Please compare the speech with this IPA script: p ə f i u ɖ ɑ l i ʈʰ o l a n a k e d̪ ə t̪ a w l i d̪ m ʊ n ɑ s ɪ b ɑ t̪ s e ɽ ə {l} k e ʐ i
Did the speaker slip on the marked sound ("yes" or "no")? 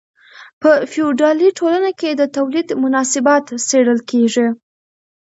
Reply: no